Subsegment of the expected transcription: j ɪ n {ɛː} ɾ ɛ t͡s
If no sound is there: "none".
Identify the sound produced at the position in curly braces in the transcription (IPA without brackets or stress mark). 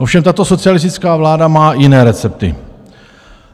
ɛː